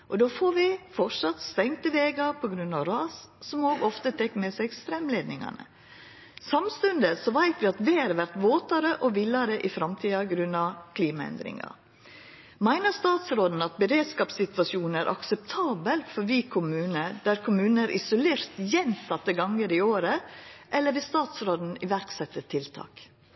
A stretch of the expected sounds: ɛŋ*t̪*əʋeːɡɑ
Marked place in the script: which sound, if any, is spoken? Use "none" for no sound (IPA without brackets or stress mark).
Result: t̪